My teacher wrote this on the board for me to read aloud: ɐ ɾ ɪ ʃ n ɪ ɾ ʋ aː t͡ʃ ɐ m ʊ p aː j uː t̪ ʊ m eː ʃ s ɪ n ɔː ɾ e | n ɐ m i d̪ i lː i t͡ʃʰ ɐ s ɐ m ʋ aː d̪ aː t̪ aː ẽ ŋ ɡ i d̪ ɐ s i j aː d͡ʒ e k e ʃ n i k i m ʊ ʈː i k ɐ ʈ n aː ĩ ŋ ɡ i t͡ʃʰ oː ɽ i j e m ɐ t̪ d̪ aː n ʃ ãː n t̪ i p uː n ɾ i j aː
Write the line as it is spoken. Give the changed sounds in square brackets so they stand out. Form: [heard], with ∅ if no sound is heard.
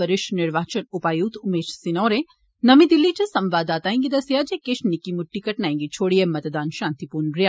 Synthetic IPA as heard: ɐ ɾ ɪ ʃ n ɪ ɾ ʋ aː t͡ʃ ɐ [n] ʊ p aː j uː t̪ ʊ m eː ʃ s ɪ n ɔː ɾ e | n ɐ m i d̪ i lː i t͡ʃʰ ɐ s ɐ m ʋ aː d̪ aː t̪ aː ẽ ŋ ɡ i d̪ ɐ s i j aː d͡ʒ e k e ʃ n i k i m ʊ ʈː i k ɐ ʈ n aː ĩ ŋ ɡ i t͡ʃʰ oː ɽ i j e m ɐ t̪ d̪ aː n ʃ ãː n t̪ i p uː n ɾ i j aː